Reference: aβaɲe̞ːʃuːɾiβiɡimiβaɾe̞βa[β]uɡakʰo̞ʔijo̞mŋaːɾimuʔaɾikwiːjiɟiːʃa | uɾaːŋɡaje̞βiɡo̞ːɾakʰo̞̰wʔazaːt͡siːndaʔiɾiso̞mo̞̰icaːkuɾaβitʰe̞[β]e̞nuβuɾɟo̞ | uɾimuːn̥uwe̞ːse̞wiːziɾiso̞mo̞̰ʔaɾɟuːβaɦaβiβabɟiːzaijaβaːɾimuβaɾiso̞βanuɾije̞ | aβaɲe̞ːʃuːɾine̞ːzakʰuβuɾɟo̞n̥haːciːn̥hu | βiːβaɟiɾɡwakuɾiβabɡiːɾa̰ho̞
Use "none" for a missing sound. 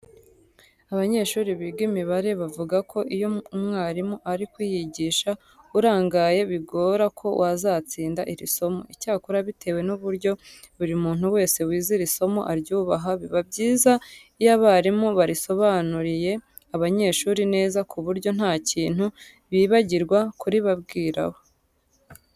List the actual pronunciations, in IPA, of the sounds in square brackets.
v, w

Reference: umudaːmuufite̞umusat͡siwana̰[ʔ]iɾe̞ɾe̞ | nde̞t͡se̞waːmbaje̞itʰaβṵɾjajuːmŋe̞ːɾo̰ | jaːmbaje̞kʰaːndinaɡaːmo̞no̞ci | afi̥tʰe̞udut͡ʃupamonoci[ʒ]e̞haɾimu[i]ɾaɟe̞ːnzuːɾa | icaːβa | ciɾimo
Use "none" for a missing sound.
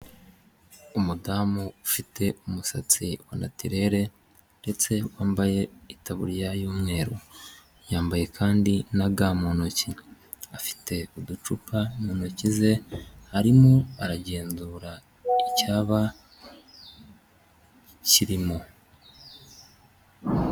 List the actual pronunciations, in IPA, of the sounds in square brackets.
t, z, a

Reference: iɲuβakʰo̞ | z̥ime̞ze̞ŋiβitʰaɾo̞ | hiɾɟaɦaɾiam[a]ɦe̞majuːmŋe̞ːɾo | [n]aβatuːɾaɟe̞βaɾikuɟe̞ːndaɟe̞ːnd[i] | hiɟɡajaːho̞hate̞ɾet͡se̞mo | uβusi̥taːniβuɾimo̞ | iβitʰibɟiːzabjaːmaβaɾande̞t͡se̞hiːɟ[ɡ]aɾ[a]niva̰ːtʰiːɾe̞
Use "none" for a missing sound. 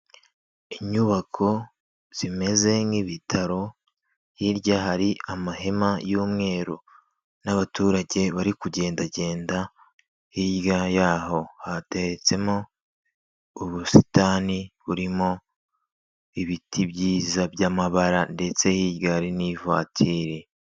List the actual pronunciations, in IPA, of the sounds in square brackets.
a, n, a, ɡ, i

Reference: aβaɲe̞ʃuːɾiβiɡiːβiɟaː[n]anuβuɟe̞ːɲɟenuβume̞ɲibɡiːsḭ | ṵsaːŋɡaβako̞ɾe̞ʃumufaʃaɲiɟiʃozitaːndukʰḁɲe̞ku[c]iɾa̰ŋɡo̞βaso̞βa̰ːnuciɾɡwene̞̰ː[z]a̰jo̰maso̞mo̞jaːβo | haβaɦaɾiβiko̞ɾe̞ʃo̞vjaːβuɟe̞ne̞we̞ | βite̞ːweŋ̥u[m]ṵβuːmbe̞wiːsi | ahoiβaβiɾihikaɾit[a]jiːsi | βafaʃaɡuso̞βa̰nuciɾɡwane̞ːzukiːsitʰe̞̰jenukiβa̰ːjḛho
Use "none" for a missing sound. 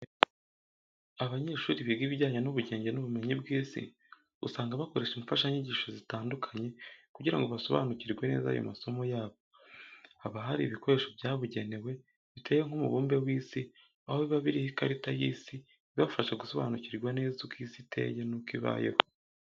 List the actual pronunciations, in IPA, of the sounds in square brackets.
ɲ, ɟ, z, m, a

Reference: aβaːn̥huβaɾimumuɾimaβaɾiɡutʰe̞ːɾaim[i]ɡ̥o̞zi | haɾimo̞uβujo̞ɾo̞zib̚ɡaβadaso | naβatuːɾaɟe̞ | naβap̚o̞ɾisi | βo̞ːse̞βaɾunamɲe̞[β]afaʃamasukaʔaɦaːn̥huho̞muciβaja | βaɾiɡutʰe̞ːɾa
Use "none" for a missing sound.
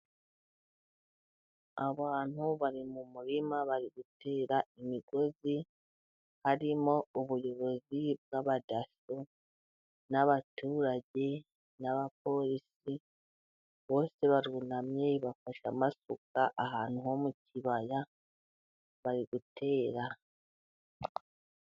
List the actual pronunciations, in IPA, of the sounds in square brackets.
i, β

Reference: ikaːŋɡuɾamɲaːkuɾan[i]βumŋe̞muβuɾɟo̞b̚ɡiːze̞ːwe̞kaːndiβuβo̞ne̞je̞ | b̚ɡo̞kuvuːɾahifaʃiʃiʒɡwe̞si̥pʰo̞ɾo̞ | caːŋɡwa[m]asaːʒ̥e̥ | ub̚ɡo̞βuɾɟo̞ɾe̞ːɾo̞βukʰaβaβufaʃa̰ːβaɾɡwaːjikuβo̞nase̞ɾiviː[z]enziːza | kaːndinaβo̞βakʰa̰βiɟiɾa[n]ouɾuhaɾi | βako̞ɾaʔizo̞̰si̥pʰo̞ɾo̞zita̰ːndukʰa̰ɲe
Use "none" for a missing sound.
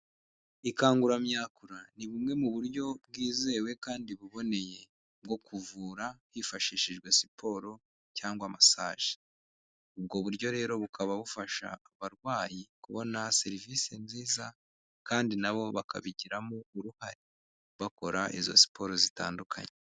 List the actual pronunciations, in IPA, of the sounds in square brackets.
i, m, s, m

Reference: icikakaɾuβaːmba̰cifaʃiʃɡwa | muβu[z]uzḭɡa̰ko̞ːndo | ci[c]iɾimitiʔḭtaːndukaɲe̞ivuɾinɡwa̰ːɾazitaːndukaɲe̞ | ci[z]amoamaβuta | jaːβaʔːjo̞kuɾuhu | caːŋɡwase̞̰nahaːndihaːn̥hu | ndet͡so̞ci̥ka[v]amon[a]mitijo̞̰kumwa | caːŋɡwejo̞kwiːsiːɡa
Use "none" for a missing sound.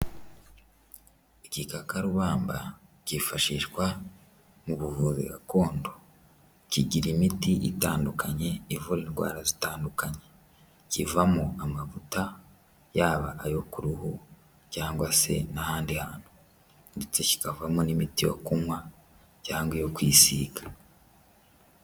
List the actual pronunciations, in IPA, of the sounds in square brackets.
v, ɟ, v, v, i

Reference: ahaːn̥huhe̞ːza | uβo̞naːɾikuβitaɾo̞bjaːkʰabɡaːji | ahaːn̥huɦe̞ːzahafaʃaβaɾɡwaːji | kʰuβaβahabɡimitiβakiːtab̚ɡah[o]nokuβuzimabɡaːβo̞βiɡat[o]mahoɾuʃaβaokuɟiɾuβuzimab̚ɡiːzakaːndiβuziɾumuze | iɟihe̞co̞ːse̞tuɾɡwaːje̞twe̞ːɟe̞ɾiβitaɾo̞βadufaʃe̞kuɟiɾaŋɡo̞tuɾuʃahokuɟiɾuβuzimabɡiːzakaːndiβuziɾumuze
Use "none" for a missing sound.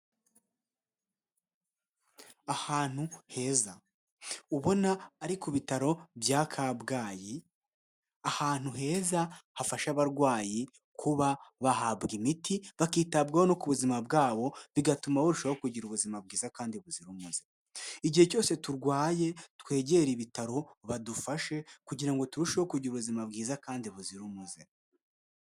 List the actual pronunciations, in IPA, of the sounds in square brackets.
o, u

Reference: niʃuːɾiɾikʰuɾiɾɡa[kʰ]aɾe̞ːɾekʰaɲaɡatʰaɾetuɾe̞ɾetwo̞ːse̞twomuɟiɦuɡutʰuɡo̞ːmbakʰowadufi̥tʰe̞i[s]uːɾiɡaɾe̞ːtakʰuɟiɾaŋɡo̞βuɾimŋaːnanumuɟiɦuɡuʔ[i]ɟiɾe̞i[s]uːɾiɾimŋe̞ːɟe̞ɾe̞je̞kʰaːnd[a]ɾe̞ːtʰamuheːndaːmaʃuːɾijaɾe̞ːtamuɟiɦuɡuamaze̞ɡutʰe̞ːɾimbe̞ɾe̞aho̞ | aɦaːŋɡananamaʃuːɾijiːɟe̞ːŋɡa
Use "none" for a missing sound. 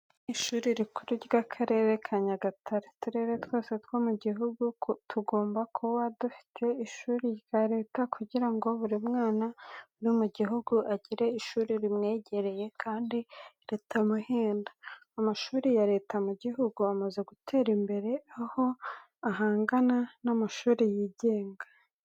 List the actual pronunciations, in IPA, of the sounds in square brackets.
kʰ, ʃ, a, ʃ, i

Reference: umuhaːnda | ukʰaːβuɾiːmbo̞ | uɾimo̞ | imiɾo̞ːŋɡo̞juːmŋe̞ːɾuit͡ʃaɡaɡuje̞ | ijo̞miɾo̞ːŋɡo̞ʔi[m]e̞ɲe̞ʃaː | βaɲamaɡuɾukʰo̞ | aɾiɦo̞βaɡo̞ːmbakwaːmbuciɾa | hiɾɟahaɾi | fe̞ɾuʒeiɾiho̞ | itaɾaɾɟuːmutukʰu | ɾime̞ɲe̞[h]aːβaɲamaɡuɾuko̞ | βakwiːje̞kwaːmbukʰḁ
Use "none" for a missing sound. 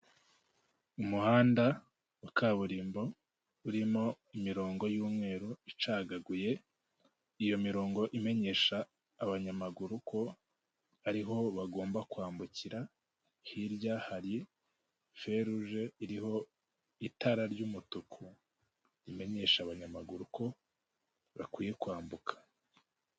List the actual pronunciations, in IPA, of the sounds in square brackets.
m, ʃ

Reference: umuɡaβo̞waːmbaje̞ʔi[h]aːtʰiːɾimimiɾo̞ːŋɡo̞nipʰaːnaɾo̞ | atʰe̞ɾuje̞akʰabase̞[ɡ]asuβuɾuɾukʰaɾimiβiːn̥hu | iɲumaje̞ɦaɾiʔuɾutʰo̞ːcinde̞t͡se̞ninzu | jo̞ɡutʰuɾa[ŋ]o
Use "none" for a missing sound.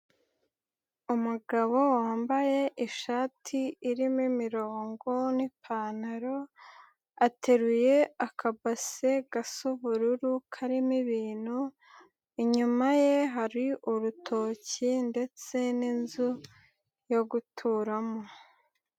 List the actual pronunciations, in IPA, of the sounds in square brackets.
ʃ, ɡ, m

